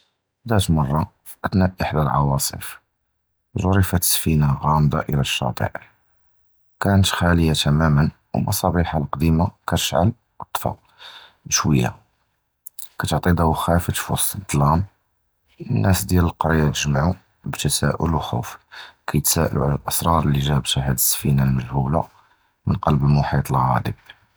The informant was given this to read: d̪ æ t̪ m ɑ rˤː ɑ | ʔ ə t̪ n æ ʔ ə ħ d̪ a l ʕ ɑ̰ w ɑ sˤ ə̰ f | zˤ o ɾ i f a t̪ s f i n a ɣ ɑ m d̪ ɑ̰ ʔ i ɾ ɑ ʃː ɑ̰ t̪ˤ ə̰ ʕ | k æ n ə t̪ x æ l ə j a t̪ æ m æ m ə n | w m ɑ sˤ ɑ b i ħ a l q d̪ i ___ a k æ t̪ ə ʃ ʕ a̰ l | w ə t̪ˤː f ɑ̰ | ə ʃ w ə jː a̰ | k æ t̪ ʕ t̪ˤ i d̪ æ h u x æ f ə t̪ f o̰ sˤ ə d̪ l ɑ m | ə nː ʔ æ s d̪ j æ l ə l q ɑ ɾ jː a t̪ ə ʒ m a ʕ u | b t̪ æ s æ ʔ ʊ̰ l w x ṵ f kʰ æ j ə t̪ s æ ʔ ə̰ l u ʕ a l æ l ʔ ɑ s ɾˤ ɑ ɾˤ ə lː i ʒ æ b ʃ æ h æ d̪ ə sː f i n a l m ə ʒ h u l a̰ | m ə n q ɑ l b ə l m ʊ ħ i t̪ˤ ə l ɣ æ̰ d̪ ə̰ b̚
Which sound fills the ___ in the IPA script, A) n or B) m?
B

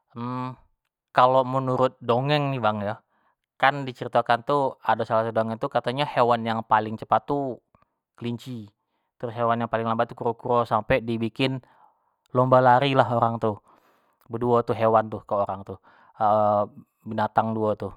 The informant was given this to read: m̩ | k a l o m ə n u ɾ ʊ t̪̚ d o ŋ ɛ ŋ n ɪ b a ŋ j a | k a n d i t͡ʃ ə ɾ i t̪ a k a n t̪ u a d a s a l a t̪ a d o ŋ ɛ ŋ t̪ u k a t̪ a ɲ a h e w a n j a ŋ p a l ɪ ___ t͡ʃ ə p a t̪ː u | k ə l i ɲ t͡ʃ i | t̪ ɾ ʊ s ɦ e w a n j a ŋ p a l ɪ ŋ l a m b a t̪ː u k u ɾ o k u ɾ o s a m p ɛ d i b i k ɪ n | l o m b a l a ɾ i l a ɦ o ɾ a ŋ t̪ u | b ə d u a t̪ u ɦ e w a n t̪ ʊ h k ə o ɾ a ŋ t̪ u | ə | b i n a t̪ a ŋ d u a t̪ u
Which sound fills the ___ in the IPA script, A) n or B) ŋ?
B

